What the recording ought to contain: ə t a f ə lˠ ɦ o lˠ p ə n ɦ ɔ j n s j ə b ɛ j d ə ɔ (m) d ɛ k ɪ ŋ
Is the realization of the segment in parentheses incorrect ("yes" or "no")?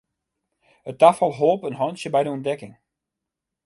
yes